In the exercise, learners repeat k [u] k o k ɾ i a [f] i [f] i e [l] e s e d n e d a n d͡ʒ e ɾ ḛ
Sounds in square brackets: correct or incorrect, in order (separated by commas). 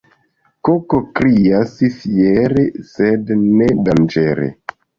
incorrect, incorrect, correct, incorrect